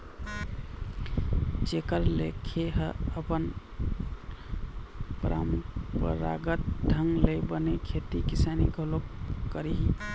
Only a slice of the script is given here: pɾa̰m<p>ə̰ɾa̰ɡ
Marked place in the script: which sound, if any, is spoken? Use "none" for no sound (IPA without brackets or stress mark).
p